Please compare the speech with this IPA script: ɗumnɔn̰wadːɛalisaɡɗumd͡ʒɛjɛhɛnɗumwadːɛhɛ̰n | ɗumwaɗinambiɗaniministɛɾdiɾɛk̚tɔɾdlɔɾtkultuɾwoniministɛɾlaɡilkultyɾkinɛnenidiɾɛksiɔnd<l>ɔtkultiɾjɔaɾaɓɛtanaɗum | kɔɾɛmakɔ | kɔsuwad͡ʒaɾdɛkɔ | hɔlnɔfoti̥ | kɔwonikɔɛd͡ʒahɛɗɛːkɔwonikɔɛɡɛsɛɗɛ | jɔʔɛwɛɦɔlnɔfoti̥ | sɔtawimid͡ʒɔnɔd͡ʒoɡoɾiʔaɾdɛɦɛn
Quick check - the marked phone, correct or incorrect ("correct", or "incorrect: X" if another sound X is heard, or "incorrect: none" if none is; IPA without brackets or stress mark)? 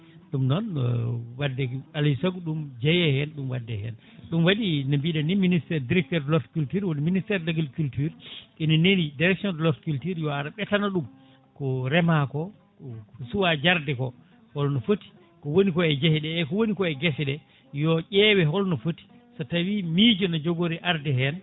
correct